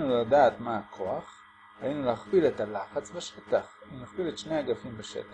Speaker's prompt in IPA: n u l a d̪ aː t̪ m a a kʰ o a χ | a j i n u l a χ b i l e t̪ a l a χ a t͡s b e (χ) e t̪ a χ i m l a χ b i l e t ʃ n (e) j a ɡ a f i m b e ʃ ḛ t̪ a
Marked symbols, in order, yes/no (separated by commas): no, yes